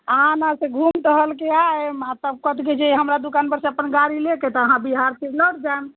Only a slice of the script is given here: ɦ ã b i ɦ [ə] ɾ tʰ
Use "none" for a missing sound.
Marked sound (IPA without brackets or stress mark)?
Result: a